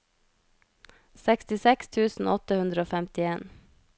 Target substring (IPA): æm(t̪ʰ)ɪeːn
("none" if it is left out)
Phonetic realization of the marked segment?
t̪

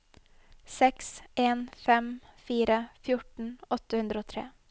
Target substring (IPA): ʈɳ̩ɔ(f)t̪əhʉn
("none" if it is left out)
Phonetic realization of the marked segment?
none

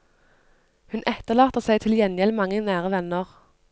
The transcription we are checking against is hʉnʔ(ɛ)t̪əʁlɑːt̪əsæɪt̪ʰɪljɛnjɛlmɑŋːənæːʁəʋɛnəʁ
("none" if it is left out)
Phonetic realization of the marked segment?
ɛ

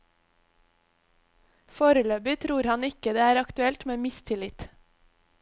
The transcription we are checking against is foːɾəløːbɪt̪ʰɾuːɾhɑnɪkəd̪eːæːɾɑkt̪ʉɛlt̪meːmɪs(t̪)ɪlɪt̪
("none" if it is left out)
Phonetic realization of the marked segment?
t̪ʰ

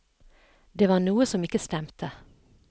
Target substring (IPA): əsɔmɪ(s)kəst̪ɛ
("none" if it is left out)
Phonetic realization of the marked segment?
none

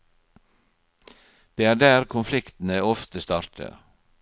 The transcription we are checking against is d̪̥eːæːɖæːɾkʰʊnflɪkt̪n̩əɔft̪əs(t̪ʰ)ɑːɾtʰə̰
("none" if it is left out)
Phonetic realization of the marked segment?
t̪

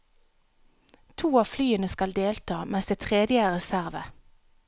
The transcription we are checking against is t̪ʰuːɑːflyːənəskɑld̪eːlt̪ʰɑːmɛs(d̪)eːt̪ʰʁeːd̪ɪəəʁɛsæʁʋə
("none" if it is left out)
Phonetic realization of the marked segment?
d̪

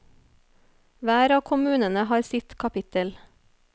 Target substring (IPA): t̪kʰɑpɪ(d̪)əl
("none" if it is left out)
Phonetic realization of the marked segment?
t̪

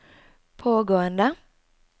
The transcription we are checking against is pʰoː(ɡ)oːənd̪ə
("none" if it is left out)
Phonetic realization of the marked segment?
ɡ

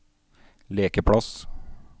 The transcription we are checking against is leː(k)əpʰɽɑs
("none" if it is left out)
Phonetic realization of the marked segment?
k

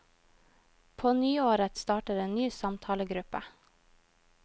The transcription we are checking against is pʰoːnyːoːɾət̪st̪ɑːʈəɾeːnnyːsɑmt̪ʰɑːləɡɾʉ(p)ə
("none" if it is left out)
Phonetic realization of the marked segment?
p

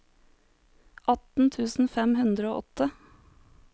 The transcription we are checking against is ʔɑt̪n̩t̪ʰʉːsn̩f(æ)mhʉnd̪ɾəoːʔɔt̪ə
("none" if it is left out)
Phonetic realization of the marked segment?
ɛ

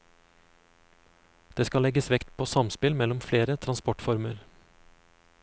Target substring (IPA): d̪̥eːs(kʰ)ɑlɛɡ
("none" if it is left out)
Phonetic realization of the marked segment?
k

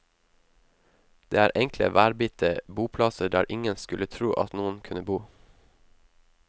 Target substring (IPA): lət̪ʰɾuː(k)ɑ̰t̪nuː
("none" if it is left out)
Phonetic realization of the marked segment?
ʔ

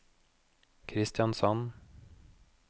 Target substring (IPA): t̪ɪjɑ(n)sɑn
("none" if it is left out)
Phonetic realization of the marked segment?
n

